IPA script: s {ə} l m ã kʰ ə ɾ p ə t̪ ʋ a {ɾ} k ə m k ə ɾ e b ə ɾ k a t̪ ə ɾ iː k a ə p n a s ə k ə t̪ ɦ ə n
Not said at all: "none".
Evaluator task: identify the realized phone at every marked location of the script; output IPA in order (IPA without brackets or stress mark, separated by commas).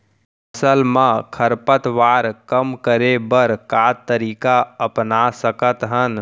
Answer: ə, ɾ